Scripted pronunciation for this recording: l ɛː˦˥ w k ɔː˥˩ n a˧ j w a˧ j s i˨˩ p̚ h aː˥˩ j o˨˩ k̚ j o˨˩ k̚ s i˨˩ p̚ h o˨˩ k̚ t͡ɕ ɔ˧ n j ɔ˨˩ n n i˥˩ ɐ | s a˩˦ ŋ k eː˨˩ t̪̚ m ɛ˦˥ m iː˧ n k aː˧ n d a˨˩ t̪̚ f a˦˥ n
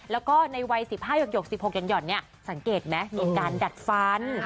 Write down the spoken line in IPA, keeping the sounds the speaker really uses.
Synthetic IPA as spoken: l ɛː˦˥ w k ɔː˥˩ n a˧ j w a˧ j s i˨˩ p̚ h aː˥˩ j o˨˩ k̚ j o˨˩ k̚ s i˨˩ p̚ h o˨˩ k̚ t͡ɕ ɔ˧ n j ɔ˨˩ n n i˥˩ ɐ | s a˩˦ ŋ k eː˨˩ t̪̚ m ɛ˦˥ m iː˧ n k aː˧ n d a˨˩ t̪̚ f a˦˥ n